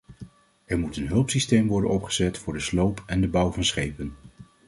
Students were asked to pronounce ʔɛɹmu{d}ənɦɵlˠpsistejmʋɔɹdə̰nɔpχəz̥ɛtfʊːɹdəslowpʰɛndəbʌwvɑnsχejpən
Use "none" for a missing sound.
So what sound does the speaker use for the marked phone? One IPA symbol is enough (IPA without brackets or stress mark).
t